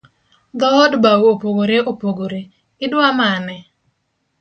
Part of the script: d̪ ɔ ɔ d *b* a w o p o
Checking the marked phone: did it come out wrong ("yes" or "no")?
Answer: no